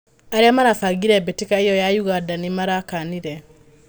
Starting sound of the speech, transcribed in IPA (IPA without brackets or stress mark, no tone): a